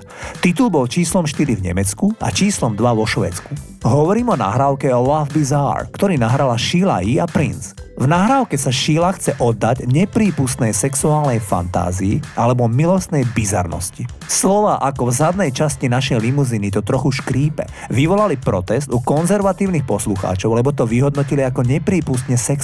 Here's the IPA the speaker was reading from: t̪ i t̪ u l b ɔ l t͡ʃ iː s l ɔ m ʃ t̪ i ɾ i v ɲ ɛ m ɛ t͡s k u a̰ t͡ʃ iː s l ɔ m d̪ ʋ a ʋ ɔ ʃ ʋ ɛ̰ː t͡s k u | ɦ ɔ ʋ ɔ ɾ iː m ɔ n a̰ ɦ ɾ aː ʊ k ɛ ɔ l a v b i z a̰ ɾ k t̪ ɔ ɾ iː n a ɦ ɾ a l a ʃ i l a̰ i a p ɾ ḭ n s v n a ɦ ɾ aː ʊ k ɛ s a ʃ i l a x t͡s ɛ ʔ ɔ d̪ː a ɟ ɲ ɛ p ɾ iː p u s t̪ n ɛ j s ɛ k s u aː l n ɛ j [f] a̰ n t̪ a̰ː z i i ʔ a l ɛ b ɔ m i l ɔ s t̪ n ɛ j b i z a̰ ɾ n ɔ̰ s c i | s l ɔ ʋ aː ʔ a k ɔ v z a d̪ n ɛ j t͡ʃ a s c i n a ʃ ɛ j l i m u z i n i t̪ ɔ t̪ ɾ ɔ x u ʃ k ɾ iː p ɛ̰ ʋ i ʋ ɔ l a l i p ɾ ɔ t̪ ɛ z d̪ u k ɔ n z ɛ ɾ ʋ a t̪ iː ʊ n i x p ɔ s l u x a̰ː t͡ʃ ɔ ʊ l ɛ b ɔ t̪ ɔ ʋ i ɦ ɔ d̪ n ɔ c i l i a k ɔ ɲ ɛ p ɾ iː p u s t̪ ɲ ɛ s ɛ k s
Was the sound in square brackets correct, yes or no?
yes